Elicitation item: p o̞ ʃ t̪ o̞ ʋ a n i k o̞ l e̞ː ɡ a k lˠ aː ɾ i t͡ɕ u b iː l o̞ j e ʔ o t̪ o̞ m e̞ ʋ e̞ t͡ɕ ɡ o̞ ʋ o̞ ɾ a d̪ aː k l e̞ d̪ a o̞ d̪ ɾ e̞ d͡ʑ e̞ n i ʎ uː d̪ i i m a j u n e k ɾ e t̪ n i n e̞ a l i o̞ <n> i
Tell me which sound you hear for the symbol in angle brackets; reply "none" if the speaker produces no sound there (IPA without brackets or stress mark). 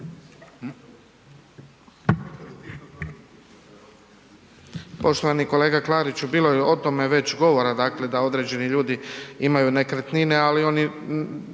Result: n